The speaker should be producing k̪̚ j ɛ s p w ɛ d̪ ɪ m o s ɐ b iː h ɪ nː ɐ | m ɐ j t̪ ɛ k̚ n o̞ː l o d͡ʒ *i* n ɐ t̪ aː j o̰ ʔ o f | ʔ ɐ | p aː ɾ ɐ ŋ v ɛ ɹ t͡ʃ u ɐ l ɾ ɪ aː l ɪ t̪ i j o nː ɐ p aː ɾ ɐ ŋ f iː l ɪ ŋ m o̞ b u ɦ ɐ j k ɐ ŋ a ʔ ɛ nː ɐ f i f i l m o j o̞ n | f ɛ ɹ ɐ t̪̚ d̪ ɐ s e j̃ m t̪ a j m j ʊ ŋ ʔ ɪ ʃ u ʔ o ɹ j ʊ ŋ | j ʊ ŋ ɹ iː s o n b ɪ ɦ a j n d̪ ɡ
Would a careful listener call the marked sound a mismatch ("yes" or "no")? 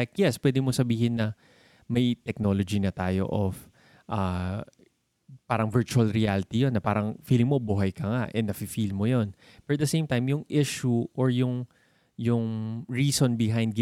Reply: no